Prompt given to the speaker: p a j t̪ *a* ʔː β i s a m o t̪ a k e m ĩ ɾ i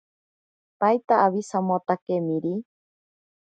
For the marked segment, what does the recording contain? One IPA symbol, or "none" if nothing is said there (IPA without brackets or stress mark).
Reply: a